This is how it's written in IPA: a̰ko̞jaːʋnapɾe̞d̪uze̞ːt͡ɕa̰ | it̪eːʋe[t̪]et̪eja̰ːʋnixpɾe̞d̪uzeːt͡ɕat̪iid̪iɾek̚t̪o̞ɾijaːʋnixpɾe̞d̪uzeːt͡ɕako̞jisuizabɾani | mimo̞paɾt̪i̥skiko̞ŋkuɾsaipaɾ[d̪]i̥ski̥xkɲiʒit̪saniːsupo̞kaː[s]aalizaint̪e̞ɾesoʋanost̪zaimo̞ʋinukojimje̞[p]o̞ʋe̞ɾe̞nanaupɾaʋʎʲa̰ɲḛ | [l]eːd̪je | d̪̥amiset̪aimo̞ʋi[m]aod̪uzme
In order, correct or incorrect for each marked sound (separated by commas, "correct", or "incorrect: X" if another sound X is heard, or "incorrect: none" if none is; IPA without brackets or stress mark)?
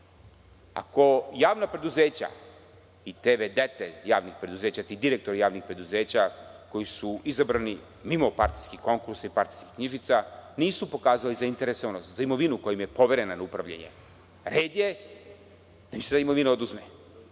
incorrect: d̪, incorrect: t̪, incorrect: z, correct, incorrect: ɾ, incorrect: n